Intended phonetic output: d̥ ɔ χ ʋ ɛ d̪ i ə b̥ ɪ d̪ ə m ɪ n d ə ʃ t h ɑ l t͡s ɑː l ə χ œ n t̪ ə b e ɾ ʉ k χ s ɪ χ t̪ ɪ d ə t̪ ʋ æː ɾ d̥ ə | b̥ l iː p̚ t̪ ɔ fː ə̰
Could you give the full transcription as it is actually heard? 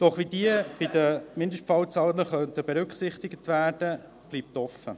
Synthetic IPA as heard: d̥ ɔ χ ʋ i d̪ i ə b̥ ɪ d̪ ə m ɪ n d ə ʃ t f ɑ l t͡s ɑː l ə χ œ n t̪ ə b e ɾ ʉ k χ s ɪ χ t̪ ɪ ɡ ə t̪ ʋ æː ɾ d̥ ə | b̥ l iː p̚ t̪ ɔ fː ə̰